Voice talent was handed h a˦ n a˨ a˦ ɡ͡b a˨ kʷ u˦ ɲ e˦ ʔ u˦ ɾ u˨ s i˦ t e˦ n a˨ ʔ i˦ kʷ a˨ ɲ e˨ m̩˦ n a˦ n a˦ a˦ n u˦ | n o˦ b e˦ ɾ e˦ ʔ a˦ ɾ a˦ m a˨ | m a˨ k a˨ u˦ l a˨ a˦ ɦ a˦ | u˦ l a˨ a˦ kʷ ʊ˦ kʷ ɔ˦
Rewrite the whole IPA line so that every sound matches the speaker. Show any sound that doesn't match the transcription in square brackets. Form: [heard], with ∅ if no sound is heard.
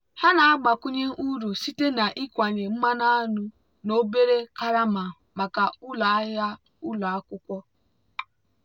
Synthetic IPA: h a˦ n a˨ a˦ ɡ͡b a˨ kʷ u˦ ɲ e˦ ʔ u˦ ɾ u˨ s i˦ t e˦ n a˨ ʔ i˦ kʷ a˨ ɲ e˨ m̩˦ [m] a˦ n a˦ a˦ n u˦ | n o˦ b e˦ ɾ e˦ [k] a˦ ɾ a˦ m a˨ | m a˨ k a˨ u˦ l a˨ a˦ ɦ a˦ | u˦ l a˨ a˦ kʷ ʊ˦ kʷ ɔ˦